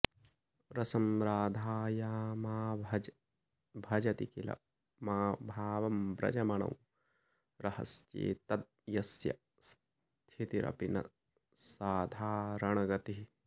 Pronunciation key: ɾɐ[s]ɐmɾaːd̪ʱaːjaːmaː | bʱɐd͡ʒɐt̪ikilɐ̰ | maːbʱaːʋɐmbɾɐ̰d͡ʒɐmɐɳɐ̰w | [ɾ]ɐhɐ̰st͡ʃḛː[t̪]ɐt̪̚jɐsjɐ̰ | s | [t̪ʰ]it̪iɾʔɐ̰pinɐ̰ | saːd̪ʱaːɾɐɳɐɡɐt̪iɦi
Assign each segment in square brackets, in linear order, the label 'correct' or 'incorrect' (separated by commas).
correct, correct, correct, correct